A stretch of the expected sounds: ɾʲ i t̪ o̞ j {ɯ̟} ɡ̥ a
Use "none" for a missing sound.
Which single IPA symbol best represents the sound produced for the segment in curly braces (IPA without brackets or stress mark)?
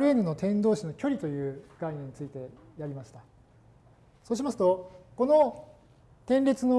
ɯ̟ː